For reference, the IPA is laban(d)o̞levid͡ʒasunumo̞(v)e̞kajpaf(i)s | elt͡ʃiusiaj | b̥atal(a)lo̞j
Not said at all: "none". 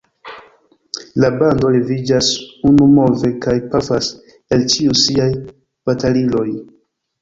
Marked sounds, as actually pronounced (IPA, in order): d, v, a, i

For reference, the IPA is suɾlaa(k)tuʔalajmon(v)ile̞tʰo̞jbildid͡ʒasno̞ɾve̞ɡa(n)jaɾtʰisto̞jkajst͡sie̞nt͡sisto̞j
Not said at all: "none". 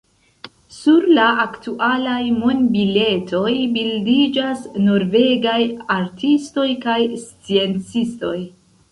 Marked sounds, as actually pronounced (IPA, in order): k, b, none

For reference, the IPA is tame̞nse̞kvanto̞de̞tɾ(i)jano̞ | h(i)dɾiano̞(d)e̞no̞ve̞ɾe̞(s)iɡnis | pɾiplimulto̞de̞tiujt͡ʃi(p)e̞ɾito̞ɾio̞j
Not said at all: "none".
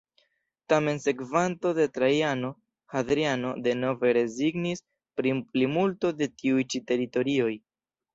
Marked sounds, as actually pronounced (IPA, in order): a, a, d, z, t

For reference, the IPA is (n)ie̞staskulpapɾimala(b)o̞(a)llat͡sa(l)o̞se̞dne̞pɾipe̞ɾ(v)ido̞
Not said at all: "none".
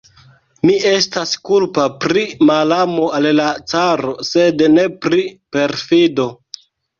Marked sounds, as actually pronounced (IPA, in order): m, m, a, ɾ, f

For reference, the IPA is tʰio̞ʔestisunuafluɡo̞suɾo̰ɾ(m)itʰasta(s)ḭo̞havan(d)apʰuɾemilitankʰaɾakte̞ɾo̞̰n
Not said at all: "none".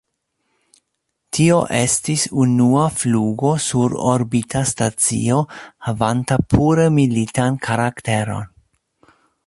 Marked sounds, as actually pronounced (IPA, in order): b, t͡s, t

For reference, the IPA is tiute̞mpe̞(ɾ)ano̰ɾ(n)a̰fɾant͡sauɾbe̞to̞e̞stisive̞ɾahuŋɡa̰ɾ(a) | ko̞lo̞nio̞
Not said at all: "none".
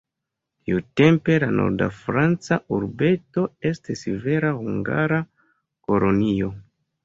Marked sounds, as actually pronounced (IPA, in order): l, d, a

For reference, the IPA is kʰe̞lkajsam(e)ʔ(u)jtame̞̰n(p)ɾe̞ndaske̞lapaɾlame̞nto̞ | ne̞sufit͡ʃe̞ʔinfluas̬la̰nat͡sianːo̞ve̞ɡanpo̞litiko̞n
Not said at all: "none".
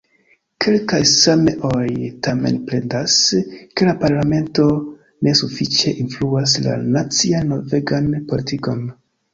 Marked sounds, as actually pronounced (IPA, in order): e, o, p

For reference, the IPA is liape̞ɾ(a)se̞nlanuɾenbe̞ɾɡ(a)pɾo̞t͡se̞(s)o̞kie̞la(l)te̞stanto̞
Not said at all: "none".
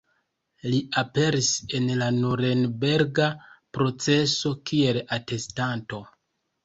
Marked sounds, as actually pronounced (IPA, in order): i, a, s, none

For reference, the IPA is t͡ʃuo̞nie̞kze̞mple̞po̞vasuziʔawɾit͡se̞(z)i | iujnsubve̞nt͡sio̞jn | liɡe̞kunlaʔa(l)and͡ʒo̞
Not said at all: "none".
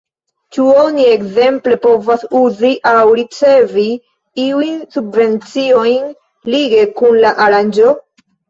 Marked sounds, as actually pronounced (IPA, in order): v, ɾ

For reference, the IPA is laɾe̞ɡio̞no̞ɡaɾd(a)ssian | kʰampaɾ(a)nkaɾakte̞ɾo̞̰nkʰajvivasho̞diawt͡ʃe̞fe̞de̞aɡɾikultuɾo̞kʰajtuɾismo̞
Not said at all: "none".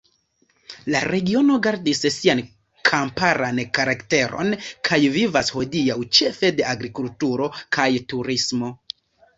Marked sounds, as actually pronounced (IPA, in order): i, a

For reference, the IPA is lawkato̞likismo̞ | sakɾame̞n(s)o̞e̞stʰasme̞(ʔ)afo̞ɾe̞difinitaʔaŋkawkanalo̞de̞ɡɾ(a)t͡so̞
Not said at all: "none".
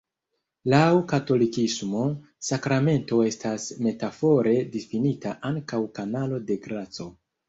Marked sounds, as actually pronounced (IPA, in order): t, t, a

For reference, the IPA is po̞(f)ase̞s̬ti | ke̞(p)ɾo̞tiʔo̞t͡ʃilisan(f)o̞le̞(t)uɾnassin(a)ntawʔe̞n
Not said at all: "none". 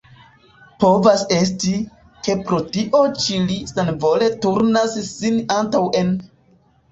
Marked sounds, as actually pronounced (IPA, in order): v, p, v, t, a

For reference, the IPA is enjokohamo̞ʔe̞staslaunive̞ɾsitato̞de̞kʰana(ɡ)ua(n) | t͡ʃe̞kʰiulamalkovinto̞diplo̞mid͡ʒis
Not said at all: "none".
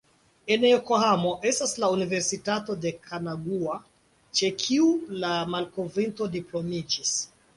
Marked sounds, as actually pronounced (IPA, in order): ɡ, none

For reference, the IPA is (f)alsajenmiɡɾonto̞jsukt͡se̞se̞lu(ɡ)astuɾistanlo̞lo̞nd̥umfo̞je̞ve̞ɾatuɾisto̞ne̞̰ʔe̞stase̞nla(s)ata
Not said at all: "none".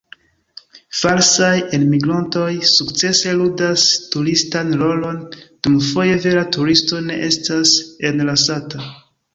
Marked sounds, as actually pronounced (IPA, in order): f, d, s

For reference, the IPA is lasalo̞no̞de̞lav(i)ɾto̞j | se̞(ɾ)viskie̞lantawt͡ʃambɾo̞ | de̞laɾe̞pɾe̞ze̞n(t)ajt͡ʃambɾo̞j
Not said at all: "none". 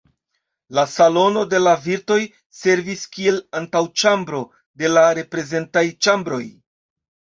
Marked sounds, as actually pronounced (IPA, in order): i, ɾ, t

